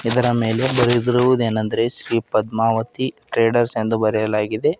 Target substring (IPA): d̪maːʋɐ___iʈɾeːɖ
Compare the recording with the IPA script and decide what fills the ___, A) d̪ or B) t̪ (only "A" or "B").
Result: B